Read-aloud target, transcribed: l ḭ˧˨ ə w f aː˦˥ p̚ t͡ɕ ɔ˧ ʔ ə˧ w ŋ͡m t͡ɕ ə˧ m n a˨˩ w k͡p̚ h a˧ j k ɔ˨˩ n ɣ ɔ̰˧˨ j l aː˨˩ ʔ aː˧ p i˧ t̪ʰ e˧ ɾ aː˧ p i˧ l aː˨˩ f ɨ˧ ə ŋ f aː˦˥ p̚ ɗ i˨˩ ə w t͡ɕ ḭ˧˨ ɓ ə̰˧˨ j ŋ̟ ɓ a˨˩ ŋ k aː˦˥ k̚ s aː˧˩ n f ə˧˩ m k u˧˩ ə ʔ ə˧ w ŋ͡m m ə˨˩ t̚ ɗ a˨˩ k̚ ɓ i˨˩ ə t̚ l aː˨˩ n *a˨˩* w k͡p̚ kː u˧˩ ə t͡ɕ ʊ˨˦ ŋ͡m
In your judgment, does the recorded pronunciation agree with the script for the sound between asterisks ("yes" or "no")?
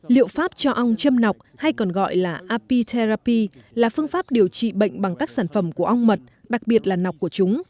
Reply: yes